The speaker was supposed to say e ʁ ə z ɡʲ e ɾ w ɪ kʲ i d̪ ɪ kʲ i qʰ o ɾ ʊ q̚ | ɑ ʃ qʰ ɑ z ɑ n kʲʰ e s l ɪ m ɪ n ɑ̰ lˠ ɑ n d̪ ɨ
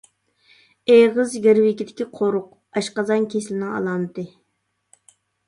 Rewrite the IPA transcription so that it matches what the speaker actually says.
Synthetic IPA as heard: e ʁ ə z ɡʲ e ɾ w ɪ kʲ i d̪ ɪ kʲ i qʰ o ɾ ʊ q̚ | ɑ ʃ q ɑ z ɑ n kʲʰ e s l ɪ n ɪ ŋ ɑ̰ lˠ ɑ n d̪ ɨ